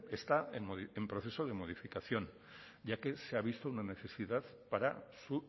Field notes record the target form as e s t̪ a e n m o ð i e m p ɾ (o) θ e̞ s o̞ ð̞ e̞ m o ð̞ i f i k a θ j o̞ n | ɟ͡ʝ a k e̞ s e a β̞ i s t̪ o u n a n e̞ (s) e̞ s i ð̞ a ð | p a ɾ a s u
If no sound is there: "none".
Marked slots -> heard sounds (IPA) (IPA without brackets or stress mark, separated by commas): o, θ